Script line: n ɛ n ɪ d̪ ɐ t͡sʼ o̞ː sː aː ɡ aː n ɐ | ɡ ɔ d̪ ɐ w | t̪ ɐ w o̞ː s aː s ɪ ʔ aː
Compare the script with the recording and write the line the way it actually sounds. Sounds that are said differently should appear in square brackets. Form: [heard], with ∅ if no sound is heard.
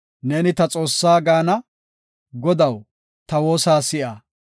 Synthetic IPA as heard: n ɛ n ɪ [t̪] ɐ t͡sʼ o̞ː sː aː ɡ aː n ɐ | ɡ ɔ d̪ ɐ w | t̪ ɐ w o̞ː s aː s ɪ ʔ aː